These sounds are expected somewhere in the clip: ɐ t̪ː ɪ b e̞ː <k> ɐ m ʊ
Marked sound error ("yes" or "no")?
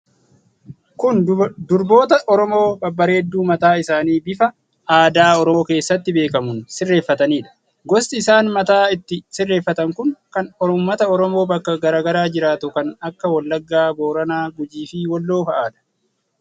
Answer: no